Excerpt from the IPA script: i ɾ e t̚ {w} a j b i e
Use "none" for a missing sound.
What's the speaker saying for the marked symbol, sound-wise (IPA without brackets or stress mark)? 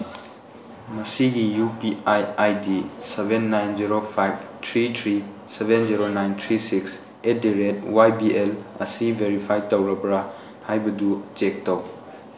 w